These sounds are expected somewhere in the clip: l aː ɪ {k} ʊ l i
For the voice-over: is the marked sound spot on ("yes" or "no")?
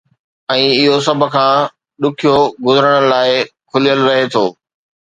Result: no